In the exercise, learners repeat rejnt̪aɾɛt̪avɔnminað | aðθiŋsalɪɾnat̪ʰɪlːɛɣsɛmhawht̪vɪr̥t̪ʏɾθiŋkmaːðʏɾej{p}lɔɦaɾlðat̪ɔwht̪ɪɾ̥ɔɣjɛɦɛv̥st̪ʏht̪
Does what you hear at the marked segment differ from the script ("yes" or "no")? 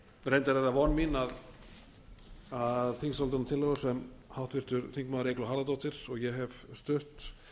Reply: yes